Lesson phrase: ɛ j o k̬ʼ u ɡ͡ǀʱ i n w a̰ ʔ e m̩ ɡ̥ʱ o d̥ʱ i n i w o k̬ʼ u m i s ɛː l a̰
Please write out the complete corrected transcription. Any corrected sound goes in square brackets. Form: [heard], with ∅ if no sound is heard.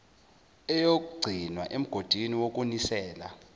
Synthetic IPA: ɛ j o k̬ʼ u ɡ͡ǀʱ i n w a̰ ʔ e m̩ ɡ̥ʱ o d̥ʱ i n i w o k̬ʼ u [n] i s ɛː l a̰